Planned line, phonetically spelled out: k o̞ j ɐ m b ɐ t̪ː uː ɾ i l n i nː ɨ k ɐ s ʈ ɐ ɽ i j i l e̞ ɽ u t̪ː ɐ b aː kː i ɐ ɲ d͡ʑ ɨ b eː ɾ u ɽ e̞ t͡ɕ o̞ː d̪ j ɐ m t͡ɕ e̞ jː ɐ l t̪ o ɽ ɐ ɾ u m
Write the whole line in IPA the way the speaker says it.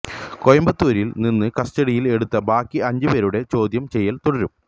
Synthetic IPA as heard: k o̞ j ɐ m b ɐ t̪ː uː ɾ i l n i nː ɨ k ɐ s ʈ ɐ ɽ i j i l e̞ ɽ u t̪ː ɐ b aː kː i ɐ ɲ d͡ʑ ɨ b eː ɾ u ɽ e̞ t͡ɕ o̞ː d̪ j ɐ m t͡ɕ e̞ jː ɐ l t̪ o ɽ ɐ ɾ u m